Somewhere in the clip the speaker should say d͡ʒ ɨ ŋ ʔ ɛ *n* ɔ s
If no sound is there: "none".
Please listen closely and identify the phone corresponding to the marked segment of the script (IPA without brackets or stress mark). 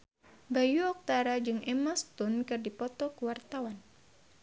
m